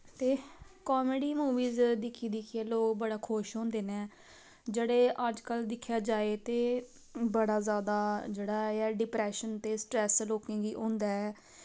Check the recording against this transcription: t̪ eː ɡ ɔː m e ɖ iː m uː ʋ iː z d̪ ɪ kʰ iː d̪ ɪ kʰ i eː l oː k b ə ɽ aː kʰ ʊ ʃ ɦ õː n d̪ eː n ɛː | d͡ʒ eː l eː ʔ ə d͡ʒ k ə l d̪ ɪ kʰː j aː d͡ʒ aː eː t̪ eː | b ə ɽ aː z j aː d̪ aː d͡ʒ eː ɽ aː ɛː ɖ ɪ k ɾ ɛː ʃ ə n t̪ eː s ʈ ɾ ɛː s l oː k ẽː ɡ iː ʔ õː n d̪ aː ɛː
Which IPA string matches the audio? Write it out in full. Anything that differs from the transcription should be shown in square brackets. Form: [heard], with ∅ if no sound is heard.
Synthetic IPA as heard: t̪ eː [k] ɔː m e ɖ iː m uː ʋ iː z d̪ ɪ kʰ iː d̪ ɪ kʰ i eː l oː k b ə ɽ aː kʰ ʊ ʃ ɦ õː n d̪ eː n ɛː | d͡ʒ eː [ɽ] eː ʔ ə d͡ʒ k ə l d̪ ɪ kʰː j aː d͡ʒ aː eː t̪ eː | b ə ɽ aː z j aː d̪ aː d͡ʒ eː ɽ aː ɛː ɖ ɪ [p] ɾ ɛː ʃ ə n t̪ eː s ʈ ɾ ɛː s l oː k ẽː ɡ iː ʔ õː n d̪ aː ɛː

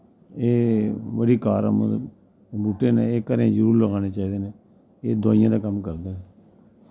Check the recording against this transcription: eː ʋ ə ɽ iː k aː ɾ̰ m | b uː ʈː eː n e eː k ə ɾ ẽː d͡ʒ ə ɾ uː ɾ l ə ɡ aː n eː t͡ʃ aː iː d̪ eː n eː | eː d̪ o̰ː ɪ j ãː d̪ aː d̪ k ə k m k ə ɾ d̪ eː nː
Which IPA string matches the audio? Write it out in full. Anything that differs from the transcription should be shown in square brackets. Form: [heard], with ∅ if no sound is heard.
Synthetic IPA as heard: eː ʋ ə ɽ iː k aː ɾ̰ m | b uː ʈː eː n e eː k ə ɾ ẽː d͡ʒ ə ɾ uː ɾ l ə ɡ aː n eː t͡ʃ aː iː d̪ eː n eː | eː d̪ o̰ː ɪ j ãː d̪ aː [∅] k ə [∅] m k ə ɾ d̪ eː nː

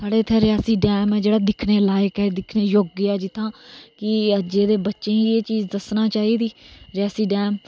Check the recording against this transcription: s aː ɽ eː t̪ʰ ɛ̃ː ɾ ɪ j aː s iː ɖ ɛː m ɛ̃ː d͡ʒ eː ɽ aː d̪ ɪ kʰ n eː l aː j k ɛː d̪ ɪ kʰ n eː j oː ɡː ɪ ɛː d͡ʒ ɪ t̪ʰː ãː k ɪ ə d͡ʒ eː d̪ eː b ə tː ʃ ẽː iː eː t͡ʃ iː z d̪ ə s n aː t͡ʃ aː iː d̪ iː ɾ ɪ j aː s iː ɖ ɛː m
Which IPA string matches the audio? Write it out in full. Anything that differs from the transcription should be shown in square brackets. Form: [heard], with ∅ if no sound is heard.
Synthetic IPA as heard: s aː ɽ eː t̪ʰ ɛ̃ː ɾ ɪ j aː s iː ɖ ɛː m [ɛː] d͡ʒ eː ɽ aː d̪ ɪ kʰ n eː l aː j k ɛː d̪ ɪ kʰ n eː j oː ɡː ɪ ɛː d͡ʒ ɪ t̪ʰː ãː k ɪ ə d͡ʒ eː d̪ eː b ə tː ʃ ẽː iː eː t͡ʃ iː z d̪ ə s n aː t͡ʃ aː iː d̪ iː ɾ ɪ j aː s iː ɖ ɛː m

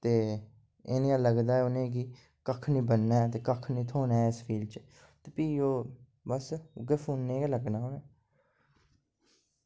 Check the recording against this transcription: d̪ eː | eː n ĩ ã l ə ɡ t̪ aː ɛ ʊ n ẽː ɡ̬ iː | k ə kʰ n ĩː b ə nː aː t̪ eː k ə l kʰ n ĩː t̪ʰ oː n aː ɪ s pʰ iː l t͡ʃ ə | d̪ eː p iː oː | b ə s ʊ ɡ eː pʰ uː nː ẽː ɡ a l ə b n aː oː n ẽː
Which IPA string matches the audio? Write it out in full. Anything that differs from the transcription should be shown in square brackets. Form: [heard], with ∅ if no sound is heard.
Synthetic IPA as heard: [t̪] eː | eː n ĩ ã l ə ɡ [d̪] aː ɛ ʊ n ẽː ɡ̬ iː | k ə kʰ n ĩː b ə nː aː t̪ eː k ə [∅] kʰ n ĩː t̪ʰ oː n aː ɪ s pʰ iː l t͡ʃ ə | [t̪] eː p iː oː | b ə s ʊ ɡ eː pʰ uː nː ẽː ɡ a l ə [ɡ] n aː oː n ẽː

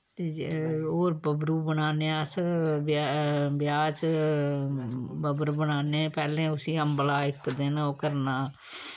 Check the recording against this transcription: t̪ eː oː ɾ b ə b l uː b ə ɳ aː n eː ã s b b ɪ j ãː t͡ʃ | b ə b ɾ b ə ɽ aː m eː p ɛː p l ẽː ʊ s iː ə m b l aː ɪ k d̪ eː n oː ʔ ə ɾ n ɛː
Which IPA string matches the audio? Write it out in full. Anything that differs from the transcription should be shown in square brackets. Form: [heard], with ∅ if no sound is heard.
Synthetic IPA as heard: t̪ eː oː ɾ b ə b [ɾ] uː b ə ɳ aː n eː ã s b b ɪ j [aː] t͡ʃ | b ə b ɾ b ə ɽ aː [n] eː p ɛː [∅] l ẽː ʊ s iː ə m b l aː ɪ k d̪ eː n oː [k] ə ɾ n [aː]

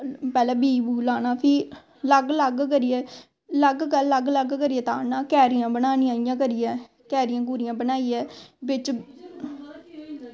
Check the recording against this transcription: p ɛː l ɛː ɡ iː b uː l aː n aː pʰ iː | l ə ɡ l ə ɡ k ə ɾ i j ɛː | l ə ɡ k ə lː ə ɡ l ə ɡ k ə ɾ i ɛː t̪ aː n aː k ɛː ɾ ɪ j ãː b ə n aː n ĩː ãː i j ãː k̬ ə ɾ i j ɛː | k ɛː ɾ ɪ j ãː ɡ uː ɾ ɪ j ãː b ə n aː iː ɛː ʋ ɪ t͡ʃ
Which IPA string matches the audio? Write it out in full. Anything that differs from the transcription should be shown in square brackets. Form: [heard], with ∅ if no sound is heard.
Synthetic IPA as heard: p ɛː l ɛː [b] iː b uː l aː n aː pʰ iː | l ə ɡ l ə ɡ k ə ɾ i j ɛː | l ə ɡ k ə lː ə ɡ l ə ɡ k ə ɾ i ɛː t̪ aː n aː k ɛː ɾ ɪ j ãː b ə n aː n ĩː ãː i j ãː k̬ ə ɾ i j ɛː | k ɛː ɾ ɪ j ãː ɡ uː ɾ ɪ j ãː b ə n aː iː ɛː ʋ ɪ t͡ʃ

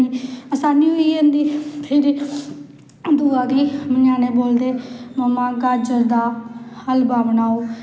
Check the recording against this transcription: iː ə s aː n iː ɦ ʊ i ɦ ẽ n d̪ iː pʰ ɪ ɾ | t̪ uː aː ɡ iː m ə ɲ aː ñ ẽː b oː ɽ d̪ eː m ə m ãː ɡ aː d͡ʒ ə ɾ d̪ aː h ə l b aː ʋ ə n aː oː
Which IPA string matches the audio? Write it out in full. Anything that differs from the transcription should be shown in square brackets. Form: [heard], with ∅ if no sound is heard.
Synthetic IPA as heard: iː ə s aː n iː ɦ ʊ i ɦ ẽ n d̪ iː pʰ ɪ ɾ | [d̪] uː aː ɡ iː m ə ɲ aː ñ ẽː b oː [l] d̪ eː m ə m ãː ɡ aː d͡ʒ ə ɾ d̪ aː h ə l b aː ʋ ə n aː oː

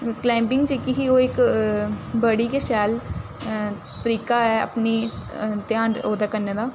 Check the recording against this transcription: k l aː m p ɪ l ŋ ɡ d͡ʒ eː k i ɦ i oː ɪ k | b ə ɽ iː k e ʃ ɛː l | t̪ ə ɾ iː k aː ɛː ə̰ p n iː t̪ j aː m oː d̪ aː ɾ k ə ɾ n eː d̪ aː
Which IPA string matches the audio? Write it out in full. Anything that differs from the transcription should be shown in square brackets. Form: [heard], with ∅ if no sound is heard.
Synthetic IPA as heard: k l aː m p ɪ [∅] ŋ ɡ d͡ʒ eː k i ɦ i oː ɪ k | b ə ɽ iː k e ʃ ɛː l | t̪ ə ɾ iː k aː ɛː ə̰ p n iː t̪ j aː [n] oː d̪ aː [∅] k ə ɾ n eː d̪ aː

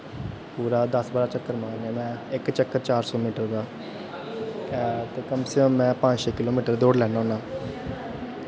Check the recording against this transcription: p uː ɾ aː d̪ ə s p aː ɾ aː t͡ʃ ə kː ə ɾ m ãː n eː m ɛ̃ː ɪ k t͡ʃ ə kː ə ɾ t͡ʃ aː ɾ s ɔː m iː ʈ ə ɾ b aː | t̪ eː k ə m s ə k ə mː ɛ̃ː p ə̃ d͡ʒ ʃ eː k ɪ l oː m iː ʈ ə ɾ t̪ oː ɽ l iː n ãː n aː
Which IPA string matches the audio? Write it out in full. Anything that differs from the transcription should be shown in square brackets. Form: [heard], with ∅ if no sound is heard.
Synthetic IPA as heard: p uː ɾ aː d̪ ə s [b] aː ɾ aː t͡ʃ ə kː ə ɾ m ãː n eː m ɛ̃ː ɪ k t͡ʃ ə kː ə ɾ t͡ʃ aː ɾ s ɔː m iː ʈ ə ɾ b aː | t̪ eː k ə m s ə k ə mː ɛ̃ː p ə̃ d͡ʒ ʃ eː k ɪ l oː m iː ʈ ə ɾ [d̪] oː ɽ l [ɛː] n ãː n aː

